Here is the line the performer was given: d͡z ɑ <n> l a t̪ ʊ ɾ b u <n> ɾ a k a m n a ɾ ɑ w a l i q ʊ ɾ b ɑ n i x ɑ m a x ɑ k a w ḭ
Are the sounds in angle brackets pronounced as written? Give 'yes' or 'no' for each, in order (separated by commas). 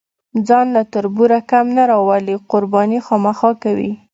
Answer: yes, no